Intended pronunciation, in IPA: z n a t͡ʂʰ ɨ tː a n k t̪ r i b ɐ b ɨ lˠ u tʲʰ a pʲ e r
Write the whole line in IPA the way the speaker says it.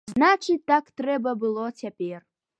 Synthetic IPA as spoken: z n a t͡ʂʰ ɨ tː a k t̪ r ɛ b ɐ b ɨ lˠ o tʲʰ a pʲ e r